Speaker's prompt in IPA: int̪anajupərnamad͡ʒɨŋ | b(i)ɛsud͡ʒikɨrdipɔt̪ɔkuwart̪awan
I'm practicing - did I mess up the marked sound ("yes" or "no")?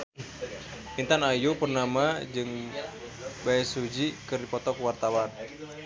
yes